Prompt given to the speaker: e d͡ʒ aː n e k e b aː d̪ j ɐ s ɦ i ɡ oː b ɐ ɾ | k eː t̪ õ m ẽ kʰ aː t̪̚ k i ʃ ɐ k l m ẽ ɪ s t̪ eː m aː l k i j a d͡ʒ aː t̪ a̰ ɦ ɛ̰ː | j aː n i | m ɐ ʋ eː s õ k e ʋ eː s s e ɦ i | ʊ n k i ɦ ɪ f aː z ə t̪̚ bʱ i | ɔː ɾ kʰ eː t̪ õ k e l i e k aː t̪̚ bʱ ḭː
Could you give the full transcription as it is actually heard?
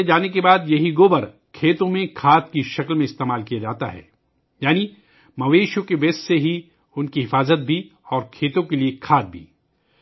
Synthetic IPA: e d͡ʒ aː n e k e b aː d̪ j ɐ ɦ i ɡ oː b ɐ ɾ | kʰ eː t̪ õ m ẽ kʰ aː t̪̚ k i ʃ ɐ k l m ẽ ɪ s t̪ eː m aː l k i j a d͡ʒ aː t̪ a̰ ɦ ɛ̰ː | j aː n i | m ɐ ʋ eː ʃ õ k e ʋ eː s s e ɦ i | ʊ n k i ɦ ɪ f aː z ə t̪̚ bʱ i | ɔː ɾ kʰ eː t̪ õ k e l i e kʰ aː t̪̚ bʱ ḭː